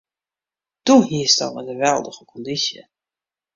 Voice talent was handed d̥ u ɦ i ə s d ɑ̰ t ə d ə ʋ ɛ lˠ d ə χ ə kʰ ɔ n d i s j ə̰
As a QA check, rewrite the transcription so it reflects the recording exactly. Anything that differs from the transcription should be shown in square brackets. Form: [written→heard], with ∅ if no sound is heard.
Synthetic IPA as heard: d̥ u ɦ i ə s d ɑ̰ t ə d ə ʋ ɛ lˠ d ə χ ə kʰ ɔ n d i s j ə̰